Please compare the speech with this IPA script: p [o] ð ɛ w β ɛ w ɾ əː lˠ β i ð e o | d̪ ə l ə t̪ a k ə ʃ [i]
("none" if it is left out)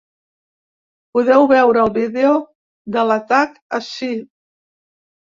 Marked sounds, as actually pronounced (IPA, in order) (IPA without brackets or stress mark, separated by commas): u, i